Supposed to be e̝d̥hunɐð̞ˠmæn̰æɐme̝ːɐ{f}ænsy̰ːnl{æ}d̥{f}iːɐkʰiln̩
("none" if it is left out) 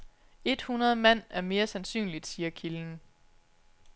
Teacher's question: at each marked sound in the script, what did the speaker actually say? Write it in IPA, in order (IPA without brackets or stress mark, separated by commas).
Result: s, i, s